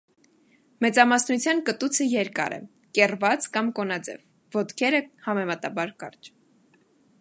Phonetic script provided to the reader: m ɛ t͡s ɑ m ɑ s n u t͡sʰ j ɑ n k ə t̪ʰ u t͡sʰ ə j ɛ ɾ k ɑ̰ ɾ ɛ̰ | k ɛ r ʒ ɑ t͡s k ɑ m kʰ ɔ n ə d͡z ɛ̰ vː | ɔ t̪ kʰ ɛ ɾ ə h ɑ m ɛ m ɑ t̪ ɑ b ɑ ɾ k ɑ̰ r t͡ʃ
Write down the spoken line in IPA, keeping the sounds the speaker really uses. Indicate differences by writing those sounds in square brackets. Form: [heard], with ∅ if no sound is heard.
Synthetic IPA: m ɛ t͡s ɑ m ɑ s n u t͡sʰ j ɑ n k ə [t̪] u t͡sʰ ə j ɛ ɾ k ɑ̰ ɾ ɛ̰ | k ɛ r [v] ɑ t͡s k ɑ m [k] ɔ n [ɑ] d͡z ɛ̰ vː | ɔ t̪ kʰ ɛ ɾ ə h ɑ m ɛ m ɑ t̪ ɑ b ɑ ɾ k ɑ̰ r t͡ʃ

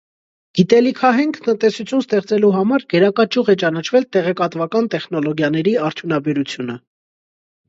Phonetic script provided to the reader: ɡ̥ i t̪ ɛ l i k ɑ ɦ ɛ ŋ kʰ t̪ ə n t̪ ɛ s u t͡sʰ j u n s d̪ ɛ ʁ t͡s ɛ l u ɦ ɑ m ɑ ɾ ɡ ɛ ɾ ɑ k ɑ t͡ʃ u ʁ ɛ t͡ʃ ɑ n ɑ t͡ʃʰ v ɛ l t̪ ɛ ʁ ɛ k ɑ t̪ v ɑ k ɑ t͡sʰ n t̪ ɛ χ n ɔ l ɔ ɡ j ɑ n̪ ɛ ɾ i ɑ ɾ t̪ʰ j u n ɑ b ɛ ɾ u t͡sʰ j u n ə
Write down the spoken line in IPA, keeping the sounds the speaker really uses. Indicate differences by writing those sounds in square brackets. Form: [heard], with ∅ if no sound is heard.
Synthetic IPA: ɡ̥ i t̪ ɛ l i [kʰ] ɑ ɦ ɛ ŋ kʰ t̪ ə n t̪ ɛ s u t͡sʰ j u n s [t̪] ɛ [χ] t͡s ɛ l u ɦ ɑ m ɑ ɾ ɡ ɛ ɾ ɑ k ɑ t͡ʃ u ʁ ɛ t͡ʃ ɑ n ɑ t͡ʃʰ v ɛ l t̪ ɛ ʁ ɛ k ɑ t̪ v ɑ k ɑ [∅] n t̪ ɛ χ n ɔ l ɔ ɡ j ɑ n̪ ɛ ɾ i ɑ ɾ t̪ʰ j u n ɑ b ɛ ɾ u t͡sʰ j u n ə

